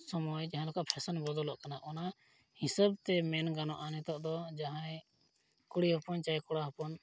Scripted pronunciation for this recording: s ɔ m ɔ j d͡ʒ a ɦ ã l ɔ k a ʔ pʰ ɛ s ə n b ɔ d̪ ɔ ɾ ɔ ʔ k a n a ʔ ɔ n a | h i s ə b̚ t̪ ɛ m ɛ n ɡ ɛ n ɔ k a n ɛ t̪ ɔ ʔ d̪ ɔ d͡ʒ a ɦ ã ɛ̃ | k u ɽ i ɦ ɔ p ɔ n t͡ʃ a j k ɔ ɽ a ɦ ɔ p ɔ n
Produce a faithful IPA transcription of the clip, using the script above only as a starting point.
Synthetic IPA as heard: s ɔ m ɔ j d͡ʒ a ɦ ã l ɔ k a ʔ pʰ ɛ s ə n b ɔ d̪ ɔ l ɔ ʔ k a n a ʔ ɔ n a | h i s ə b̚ t̪ ɛ m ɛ n ɡ a n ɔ ʔ a n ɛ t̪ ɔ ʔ d̪ ɔ d͡ʒ a ɦ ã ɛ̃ | k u ɽ i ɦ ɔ p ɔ n t͡ʃ a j k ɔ ɽ a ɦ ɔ p ɔ n